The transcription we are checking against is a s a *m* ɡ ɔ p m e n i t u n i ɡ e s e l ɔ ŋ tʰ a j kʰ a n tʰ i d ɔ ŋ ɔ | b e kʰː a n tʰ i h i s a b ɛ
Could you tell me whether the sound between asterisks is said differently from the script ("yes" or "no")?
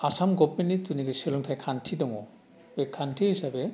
no